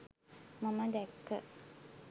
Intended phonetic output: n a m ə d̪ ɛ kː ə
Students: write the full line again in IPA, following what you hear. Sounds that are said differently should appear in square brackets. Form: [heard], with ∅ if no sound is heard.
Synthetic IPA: [m] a m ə d̪ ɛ kː ə